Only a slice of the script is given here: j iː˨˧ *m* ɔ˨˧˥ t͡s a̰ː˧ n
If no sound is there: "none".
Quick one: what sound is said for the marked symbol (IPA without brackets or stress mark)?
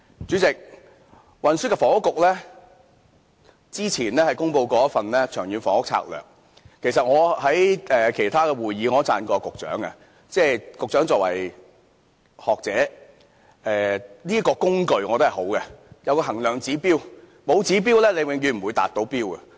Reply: ŋ